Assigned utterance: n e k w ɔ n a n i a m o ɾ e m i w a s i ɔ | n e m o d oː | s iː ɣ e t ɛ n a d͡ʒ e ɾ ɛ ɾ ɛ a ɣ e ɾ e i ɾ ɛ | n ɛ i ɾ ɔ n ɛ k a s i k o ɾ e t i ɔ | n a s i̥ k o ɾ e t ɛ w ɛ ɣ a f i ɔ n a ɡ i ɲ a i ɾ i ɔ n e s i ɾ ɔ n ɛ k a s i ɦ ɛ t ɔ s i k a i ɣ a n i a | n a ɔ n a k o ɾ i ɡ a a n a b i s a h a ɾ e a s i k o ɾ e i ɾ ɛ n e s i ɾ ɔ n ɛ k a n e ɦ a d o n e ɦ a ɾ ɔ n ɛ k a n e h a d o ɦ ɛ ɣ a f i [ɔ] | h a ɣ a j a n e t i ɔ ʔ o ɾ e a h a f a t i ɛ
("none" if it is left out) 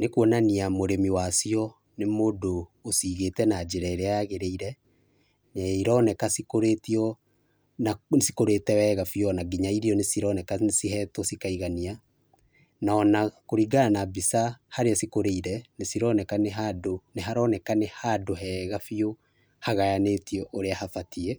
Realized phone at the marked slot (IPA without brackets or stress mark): o